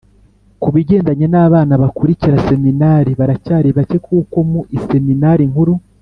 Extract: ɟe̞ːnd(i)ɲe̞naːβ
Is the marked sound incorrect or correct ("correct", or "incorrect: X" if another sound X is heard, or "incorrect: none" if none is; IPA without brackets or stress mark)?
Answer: incorrect: a